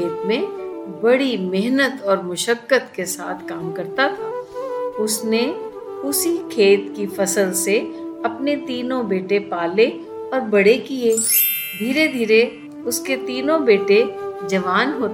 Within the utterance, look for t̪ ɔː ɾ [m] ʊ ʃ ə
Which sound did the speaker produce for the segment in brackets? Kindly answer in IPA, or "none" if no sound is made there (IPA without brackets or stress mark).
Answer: m